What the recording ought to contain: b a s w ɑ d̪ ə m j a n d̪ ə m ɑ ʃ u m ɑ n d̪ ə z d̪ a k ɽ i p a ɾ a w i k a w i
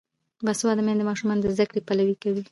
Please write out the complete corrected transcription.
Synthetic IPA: b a s w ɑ d̪ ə m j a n d̪ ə m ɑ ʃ u m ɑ n d̪ ə z d̪ a k ɽ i p a l a w i k a w i